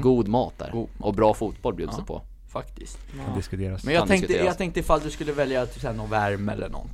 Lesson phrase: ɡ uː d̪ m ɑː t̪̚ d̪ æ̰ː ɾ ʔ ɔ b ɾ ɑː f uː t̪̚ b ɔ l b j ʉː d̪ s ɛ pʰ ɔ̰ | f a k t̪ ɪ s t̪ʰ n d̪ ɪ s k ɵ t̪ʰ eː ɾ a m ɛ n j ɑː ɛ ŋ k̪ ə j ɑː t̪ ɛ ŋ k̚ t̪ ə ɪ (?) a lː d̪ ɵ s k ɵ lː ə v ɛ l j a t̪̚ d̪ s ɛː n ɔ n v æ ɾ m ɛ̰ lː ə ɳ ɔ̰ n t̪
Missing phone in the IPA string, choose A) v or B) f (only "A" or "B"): B